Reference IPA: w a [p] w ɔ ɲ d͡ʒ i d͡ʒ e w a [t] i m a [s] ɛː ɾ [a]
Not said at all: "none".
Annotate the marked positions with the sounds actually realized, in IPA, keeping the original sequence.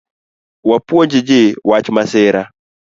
p, t͡ʃ, s, a

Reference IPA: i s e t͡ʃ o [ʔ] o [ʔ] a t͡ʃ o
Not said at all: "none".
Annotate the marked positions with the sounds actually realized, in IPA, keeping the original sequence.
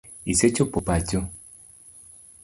p, p

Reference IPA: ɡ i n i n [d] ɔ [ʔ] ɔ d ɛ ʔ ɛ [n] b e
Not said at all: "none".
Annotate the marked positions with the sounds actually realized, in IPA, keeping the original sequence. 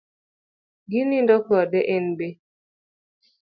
d, k, n

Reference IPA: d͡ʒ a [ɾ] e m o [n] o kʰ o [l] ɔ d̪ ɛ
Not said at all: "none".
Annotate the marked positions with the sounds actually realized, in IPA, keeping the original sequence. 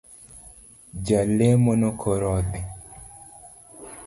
l, n, ɾ

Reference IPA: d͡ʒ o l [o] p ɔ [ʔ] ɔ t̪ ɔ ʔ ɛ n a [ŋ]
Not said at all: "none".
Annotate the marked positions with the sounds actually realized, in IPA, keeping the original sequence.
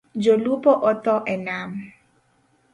u, ʔ, m

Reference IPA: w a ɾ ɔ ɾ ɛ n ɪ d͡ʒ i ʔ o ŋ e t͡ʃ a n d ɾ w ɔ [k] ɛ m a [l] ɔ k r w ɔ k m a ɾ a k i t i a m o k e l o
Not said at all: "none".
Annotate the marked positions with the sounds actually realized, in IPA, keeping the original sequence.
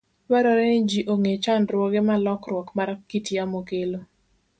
ɡ, l

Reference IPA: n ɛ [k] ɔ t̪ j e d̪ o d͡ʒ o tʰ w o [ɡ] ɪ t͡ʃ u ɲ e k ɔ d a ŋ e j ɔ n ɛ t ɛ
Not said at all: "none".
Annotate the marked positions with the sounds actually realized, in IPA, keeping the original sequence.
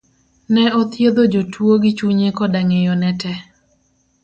none, ɡ

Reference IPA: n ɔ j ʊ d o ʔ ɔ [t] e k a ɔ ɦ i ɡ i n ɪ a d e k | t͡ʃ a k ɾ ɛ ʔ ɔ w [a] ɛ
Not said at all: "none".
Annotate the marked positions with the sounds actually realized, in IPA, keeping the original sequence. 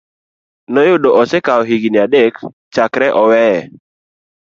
s, ɛ

